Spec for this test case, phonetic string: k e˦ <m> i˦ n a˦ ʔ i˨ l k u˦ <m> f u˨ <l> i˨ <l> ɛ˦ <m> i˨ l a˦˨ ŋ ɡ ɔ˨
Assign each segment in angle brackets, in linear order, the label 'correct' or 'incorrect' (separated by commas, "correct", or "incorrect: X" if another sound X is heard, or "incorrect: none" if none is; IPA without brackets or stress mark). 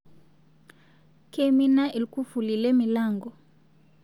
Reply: correct, incorrect: none, correct, correct, correct